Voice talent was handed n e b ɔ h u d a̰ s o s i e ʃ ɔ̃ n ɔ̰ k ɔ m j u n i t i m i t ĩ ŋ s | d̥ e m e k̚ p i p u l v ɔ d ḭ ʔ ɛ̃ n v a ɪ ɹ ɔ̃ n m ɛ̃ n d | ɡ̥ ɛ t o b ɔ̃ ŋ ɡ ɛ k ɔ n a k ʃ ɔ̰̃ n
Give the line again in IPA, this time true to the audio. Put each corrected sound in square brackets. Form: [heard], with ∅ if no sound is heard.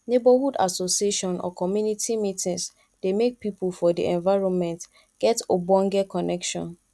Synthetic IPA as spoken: n e b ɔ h u d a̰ s o s i e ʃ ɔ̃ n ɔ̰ k ɔ m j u n i t i m i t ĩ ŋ s | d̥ e m e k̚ p i p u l [f] ɔ d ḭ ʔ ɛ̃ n v a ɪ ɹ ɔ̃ n m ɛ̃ n [t] | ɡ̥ ɛ t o b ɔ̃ ŋ ɡ ɛ k ɔ n [ɛ] k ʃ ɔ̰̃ n